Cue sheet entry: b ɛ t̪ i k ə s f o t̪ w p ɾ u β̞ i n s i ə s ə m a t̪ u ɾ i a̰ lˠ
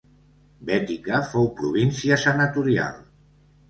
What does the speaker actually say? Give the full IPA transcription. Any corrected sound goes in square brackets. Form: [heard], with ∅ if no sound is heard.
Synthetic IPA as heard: b ɛ t̪ i k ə [∅] f o [∅] w p ɾ u β̞ i n s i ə s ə [n] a t̪ u ɾ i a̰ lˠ